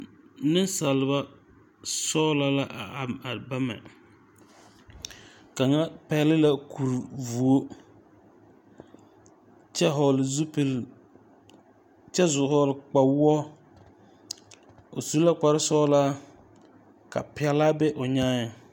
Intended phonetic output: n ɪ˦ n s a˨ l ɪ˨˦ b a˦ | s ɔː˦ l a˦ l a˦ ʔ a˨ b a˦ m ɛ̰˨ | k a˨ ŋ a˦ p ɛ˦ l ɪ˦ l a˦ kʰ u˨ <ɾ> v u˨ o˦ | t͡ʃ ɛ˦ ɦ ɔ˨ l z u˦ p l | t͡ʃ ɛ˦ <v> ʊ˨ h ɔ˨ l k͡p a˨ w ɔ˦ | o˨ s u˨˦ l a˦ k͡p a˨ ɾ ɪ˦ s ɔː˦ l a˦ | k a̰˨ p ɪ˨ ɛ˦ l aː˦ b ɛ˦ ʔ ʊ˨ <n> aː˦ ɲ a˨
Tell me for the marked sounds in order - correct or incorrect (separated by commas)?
correct, incorrect, incorrect